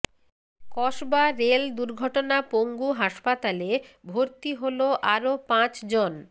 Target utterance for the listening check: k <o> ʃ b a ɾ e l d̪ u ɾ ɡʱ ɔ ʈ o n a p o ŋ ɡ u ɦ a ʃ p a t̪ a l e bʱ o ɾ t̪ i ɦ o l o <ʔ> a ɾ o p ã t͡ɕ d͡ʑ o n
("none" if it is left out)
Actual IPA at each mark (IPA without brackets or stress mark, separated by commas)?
ɔ, ʔ